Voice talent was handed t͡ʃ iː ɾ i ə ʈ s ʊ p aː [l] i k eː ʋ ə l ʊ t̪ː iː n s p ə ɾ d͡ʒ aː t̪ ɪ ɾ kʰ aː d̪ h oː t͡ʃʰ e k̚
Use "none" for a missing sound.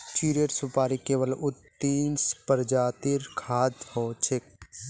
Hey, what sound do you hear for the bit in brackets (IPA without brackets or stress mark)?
ɾ